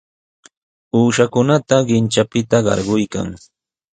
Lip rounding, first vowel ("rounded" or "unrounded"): rounded